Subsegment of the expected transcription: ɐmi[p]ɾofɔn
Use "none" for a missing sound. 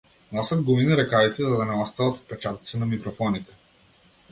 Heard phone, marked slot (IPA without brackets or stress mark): k